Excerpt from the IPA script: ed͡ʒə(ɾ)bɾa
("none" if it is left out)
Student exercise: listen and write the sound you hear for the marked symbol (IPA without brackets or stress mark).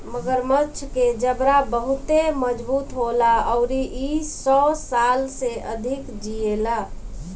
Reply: none